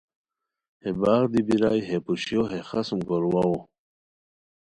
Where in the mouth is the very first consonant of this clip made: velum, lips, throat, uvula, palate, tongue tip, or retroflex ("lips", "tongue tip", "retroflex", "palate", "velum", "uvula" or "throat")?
throat